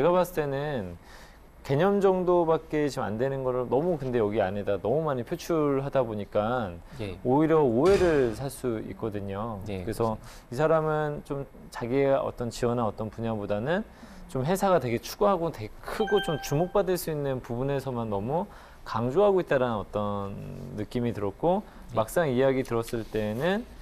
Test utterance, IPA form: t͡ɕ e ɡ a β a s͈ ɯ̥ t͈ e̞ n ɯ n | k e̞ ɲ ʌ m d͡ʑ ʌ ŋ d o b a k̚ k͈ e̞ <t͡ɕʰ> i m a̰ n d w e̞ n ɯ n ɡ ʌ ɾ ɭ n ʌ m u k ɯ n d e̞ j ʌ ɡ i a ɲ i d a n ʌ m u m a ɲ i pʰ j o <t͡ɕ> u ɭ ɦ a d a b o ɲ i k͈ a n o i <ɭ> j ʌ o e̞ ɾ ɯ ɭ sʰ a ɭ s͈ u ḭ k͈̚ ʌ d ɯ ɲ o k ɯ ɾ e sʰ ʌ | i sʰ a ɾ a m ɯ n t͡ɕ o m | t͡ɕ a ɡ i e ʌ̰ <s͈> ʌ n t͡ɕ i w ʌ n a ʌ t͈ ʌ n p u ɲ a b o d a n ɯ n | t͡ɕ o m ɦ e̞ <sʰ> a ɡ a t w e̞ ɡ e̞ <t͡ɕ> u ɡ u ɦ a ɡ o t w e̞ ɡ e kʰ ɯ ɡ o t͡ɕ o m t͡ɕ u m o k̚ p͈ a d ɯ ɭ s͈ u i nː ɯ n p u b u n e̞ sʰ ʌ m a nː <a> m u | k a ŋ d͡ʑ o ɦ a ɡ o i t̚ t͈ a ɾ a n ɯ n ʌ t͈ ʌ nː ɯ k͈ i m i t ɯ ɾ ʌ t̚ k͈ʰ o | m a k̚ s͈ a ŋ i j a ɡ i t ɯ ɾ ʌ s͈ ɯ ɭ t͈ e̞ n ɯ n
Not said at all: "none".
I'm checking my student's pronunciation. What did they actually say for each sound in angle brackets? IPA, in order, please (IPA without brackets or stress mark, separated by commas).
t͡ɕ, t͡ɕʰ, ɾ, t͈, sʰ, t͡ɕʰ, ʌ